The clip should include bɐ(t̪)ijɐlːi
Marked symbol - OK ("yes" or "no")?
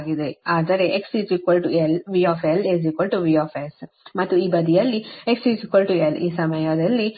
no